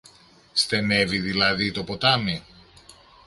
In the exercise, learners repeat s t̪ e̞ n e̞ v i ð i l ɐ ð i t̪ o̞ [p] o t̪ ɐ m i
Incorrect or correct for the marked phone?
correct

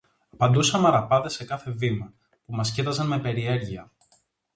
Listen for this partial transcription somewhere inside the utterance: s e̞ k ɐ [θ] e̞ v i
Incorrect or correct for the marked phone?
correct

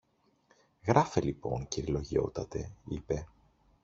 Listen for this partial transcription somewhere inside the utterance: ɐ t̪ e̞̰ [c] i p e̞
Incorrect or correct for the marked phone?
incorrect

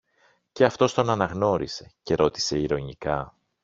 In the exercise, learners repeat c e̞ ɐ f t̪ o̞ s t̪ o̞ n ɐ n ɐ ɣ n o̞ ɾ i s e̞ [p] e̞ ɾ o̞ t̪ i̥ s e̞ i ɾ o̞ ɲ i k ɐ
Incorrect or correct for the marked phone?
incorrect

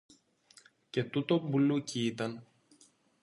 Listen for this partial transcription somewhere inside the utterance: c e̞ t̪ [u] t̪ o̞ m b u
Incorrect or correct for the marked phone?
correct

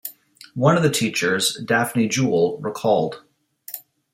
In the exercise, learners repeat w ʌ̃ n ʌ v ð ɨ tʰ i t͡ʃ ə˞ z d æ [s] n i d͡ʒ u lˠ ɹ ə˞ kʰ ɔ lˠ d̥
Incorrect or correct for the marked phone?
incorrect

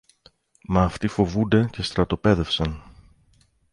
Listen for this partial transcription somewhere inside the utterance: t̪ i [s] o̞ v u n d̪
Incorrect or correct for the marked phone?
incorrect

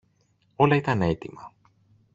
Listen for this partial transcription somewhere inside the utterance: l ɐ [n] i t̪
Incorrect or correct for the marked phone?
incorrect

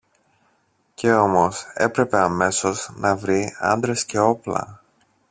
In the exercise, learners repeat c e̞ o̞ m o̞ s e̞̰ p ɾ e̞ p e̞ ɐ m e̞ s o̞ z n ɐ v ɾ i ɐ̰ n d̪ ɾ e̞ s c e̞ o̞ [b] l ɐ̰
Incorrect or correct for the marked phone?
incorrect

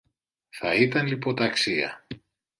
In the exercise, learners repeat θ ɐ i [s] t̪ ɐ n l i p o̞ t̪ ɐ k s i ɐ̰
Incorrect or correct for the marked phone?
incorrect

